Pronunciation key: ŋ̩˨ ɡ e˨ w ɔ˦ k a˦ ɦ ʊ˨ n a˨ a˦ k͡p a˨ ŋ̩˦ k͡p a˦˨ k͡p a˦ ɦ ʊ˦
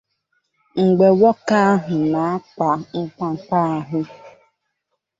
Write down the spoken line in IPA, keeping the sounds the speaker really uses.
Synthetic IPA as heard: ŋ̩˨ ɡ͡b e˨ w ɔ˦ k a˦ ɦ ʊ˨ n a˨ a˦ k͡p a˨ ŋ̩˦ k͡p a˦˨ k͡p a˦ ɦ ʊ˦